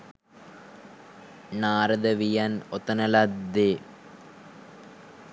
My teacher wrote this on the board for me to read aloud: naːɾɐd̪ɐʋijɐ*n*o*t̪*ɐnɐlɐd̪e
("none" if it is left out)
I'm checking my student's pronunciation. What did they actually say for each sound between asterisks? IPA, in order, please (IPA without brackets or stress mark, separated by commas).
n, t̪